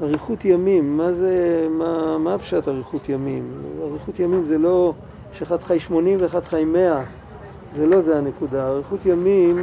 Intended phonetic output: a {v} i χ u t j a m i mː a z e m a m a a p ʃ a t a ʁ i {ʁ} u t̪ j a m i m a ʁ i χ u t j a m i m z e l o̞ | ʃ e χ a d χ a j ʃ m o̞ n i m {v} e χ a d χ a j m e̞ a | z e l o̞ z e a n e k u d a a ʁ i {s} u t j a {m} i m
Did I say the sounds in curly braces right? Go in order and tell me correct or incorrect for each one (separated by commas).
incorrect, incorrect, correct, incorrect, correct